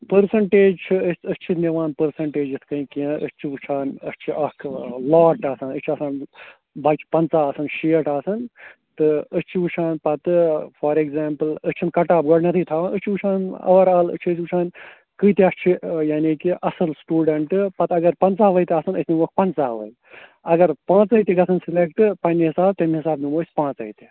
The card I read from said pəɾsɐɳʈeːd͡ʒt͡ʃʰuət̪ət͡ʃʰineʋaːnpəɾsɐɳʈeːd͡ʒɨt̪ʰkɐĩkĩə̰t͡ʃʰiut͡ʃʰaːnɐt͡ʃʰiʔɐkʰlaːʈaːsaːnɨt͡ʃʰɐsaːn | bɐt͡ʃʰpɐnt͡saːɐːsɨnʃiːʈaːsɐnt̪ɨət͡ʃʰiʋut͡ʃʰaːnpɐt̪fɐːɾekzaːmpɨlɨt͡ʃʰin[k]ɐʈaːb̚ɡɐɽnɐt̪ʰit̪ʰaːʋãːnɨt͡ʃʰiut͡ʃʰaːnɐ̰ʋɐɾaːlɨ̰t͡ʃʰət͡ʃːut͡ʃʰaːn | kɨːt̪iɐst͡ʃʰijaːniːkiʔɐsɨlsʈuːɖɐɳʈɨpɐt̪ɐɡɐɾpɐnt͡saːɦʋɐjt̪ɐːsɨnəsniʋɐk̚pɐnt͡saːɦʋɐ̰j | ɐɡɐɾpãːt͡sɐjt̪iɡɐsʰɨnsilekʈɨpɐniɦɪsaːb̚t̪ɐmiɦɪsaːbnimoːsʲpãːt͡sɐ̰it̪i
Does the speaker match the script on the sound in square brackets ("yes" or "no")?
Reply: yes